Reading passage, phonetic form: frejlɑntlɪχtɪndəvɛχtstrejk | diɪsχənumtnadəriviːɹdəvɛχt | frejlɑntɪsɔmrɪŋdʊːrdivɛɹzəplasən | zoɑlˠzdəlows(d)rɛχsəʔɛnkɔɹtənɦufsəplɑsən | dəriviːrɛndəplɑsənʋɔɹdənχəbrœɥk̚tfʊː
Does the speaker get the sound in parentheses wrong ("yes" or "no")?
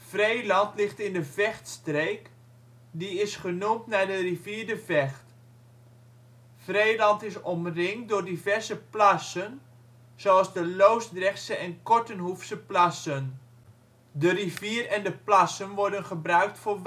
no